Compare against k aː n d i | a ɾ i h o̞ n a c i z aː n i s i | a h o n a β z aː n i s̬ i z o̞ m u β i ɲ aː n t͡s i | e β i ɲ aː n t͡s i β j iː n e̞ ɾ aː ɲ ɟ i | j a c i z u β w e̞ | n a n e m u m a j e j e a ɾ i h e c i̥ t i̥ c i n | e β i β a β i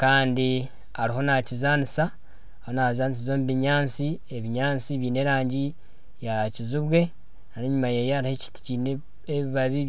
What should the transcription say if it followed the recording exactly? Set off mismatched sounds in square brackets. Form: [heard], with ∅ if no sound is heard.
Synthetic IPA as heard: k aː n d i | a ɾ i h o̞ n a c i z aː n i s [a] | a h o n a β z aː n i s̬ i z o̞ m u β i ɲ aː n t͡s i | e β i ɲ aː n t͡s i β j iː n e̞ ɾ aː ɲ ɟ i | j a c i z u β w e̞ | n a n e [ɲ] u m a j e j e a ɾ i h e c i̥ t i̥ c i n | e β i β a β i